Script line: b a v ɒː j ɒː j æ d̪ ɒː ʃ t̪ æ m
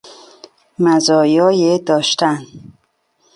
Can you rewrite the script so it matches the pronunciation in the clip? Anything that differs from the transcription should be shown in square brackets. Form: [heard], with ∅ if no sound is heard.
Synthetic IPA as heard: [m] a [z] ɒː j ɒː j [e] d̪ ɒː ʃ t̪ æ [n]